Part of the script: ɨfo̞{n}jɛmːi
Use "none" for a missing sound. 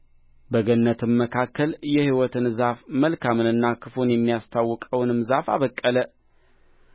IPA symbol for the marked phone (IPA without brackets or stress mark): n